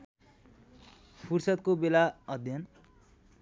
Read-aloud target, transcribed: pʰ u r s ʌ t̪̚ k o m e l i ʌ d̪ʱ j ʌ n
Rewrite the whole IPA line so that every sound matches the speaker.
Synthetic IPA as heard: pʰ u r s ʌ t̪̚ k o b e l a ʌ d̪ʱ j ʌ n